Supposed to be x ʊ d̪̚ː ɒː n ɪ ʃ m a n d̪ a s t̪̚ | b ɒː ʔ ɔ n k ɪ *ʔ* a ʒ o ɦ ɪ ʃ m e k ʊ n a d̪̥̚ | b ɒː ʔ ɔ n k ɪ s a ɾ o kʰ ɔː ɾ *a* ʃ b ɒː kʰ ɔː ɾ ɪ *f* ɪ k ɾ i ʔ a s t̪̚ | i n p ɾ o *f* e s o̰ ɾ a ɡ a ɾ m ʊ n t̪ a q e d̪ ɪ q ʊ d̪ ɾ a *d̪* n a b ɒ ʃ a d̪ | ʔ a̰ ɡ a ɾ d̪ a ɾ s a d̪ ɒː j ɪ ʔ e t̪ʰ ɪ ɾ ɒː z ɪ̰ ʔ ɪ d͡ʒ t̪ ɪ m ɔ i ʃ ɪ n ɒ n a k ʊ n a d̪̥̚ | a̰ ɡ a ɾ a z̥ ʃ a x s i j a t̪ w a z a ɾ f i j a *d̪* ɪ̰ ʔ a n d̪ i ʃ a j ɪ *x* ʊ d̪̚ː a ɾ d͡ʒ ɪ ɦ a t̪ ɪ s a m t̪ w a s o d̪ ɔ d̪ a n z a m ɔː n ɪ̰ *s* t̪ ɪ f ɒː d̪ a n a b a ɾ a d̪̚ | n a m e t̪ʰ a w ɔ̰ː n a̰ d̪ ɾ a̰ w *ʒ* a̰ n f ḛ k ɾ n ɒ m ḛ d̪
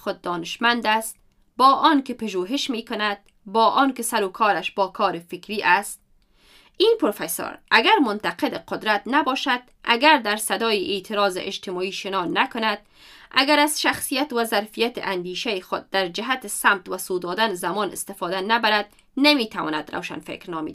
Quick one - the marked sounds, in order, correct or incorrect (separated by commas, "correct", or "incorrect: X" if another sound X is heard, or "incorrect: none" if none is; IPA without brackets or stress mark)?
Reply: incorrect: p, correct, correct, correct, incorrect: t̪, incorrect: t̪, correct, correct, incorrect: ʃ